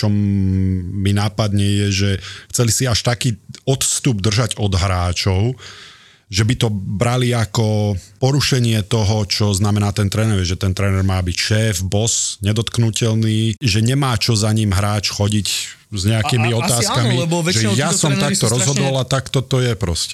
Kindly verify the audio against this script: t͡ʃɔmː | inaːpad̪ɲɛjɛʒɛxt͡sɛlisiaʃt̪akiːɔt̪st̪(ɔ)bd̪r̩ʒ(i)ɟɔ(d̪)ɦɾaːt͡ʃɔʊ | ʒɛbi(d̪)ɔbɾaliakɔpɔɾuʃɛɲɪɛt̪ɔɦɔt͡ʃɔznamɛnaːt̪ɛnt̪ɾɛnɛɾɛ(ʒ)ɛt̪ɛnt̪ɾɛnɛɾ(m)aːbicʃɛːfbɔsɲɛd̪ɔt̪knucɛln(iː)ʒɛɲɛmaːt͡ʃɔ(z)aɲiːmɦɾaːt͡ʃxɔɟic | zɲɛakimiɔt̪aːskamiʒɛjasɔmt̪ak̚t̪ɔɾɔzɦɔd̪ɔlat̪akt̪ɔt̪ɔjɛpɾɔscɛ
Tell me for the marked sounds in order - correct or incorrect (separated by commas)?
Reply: incorrect, incorrect, correct, incorrect, correct, correct, correct, correct